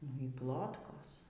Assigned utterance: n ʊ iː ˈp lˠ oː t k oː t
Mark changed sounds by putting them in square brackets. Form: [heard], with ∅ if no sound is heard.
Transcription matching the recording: n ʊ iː ˈp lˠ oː t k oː [s]